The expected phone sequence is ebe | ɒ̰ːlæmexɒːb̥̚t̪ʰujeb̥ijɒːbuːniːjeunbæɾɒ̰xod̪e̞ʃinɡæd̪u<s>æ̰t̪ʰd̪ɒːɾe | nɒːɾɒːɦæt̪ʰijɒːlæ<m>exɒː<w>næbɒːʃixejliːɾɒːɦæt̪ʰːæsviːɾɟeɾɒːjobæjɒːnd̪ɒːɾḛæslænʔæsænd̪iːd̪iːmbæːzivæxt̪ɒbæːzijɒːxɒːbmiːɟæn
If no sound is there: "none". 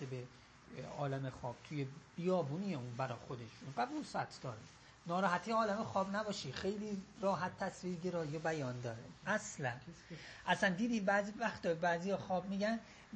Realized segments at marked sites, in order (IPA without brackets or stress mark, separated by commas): s, m, b